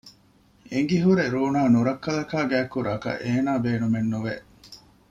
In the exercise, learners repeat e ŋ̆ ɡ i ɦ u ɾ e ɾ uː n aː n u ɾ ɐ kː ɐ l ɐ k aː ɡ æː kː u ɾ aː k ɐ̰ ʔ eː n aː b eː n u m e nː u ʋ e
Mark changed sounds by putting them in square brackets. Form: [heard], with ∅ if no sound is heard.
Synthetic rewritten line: e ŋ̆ ɡ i ɦ u ɾ e ɾ uː n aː n u ɾ ɐ kː ɐ l ɐ k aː ɡ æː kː u ɾ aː k ɐ̰ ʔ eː n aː b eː n u m e nː u ʋ e